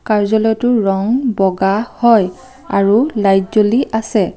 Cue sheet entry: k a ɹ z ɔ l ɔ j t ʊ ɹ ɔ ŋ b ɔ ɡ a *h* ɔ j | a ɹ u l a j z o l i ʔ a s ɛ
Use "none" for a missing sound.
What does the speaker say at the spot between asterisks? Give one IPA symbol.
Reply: h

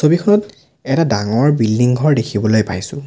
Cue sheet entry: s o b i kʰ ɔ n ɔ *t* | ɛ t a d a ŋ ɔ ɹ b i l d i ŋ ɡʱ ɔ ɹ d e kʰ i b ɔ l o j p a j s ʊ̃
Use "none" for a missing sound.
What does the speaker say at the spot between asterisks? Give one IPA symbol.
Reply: t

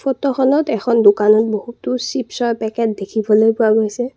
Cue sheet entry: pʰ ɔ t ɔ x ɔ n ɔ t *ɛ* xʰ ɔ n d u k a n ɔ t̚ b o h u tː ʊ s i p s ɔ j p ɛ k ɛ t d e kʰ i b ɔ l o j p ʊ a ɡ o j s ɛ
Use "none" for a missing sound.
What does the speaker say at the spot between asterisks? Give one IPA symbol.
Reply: ɛ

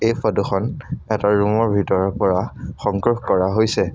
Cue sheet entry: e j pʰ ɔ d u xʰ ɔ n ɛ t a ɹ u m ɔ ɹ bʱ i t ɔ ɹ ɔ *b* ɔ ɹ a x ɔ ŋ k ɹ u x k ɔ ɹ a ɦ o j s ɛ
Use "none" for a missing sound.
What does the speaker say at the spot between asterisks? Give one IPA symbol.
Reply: p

